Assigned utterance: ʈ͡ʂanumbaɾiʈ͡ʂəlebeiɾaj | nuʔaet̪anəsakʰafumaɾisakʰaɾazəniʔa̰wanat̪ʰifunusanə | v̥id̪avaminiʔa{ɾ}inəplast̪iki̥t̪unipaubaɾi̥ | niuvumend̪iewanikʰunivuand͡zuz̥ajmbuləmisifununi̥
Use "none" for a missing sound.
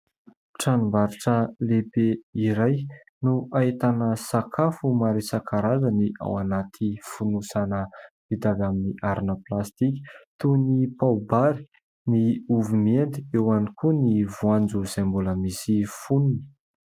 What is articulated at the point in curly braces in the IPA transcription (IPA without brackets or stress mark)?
ɾ